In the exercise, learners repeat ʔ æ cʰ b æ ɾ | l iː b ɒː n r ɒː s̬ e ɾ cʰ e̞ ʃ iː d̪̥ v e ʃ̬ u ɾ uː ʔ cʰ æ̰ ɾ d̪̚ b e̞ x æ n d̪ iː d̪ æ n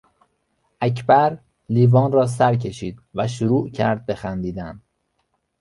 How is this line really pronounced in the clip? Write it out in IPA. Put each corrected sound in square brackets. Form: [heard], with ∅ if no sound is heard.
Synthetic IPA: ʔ æ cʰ b æ ɾ | l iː [v] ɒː n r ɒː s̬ [æ] ɾ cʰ e̞ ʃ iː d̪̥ v [æ] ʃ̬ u ɾ uː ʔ cʰ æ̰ ɾ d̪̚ b e̞ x æ n d̪ iː d̪ æ n